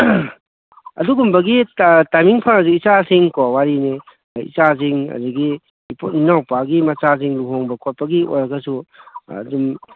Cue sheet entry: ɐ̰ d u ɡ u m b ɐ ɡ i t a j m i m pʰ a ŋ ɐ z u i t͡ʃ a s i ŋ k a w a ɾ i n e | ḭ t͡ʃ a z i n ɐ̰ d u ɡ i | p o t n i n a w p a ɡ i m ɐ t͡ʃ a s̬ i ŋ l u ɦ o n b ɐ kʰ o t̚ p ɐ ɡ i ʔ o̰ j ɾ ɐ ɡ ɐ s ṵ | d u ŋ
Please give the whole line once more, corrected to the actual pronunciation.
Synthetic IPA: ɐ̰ d u ɡ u m b ɐ ɡ i t a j m i ŋ pʰ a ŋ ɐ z u i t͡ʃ a s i ŋ k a w a ɾ i n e | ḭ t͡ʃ a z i ŋ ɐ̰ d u ɡ i | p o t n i n a w p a ɡ i m ɐ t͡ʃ a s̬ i ŋ l u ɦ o ŋ b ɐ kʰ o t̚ p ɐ ɡ i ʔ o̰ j ɾ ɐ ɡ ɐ s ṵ | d u m